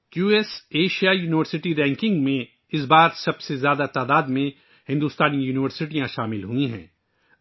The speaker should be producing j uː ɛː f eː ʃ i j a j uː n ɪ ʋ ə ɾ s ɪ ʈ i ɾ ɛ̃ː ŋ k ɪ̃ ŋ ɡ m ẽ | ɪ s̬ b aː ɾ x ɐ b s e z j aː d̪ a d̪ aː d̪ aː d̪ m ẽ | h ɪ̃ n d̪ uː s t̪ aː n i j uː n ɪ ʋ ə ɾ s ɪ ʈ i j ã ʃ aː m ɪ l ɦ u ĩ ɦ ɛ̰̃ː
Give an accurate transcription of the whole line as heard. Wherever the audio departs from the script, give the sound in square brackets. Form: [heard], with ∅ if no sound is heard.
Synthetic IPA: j uː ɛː [s] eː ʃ i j a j uː n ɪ ʋ ə ɾ s ɪ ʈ i ɾ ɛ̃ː ŋ k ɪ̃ ŋ ɡ m ẽ | ɪ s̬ b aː ɾ [s] ɐ b s e z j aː d̪ a [t̪] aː d̪ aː d̪ m ẽ | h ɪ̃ n d̪ uː s t̪ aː n i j uː n ɪ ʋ ə ɾ s ɪ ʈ i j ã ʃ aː m ɪ l ɦ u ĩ ɦ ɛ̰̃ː

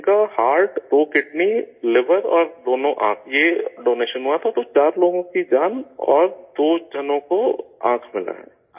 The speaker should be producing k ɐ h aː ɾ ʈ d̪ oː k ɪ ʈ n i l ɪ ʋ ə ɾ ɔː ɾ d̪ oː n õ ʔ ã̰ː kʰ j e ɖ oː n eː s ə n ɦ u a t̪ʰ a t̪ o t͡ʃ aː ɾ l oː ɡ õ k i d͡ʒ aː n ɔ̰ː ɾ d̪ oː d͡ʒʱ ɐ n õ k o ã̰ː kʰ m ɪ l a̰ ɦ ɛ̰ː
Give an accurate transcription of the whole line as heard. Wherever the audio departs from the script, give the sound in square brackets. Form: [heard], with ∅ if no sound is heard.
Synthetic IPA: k [a] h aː ɾ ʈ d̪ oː k ɪ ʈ n i l ɪ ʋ ə ɾ ɔː ɾ d̪ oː n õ ʔ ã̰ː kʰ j e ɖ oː n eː [ʃ] ə n ɦ u a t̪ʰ a t̪ o t͡ʃ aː ɾ l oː ɡ õ k i d͡ʒ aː n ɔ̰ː ɾ d̪ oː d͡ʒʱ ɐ n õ k o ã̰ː kʰ m ɪ l a̰ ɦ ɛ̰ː

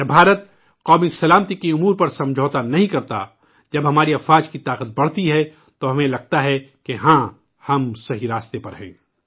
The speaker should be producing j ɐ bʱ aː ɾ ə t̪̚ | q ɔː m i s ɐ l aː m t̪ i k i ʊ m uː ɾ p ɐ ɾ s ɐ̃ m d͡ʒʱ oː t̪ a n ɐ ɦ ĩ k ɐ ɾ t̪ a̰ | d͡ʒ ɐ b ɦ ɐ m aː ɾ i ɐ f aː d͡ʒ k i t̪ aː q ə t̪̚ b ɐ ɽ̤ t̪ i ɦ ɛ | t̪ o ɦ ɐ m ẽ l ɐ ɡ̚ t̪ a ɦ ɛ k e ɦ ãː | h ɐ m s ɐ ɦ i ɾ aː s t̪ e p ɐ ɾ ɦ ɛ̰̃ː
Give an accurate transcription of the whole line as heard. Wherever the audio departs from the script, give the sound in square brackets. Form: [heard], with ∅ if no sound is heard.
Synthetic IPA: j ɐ bʱ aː ɾ ə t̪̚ | q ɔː m i s ɐ l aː m t̪ i k i ʊ m uː ɾ p ɐ ɾ s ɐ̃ m d͡ʒʱ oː t̪ a n ɐ ɦ ĩ k ɐ ɾ t̪ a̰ | d͡ʒ ɐ b ɦ ɐ m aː ɾ i ɐ f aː d͡ʒ k i t̪ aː q ə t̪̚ b ɐ ɽ̤ t̪ i ɦ ɛ | t̪ o ɦ ɐ m ẽ l ɐ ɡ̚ t̪ a ɦ ɛ k e ɦ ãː | h ɐ m s ɐ ɦ i ɾ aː s t̪ e p ɐ ɾ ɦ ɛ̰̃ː

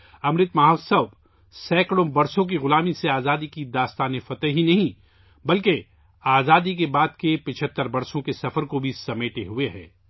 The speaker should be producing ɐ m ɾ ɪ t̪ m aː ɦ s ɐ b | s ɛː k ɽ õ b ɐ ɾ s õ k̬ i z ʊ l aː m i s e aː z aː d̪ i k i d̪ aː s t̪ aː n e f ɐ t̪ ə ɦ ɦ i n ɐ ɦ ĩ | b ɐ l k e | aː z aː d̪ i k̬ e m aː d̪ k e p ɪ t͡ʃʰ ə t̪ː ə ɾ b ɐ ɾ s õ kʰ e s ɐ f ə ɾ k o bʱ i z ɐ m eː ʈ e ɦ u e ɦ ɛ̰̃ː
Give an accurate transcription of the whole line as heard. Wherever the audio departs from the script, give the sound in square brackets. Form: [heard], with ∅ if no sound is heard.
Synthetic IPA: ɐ m ɾ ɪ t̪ m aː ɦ s ɐ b | s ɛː k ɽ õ b ɐ ɾ s õ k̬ i [ɣ] ʊ l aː m i s e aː z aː d̪ i k i d̪ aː s t̪ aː n e f ɐ t̪ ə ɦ ɦ i n ɐ ɦ ĩ | b ɐ l k e | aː z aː d̪ i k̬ e [b] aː d̪ k e p ɪ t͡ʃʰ ə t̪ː ə ɾ b ɐ ɾ s õ [k] e s ɐ f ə ɾ k o bʱ i [s] ɐ m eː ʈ e ɦ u e ɦ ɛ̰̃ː

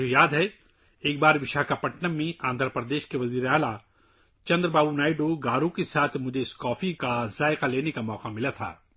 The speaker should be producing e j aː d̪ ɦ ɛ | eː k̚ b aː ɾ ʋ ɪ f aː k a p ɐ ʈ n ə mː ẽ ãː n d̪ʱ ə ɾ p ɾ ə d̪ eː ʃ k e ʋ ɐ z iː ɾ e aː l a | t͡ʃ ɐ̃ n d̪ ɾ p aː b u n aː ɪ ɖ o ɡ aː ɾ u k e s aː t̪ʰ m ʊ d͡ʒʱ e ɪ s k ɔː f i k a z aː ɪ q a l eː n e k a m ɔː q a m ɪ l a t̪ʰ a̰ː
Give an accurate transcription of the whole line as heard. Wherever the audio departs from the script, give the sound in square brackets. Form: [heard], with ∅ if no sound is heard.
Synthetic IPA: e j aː d̪ ɦ ɛ | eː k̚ b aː ɾ ʋ ɪ [ʃ] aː k a p ɐ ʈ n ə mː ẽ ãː n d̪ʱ ə ɾ p ɾ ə d̪ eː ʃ k e ʋ ɐ z iː ɾ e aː l a | t͡ʃ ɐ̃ n d̪ ɾ [b] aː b u n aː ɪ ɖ o ɡ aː ɾ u k e s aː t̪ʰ m ʊ d͡ʒʱ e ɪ s k ɔː f i k a z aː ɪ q a l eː n e k a m ɔː q a m ɪ l a t̪ʰ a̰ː

